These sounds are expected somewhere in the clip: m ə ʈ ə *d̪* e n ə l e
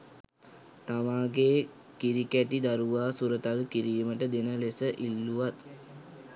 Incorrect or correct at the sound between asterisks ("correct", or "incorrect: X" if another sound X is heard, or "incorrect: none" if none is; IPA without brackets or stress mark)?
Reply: correct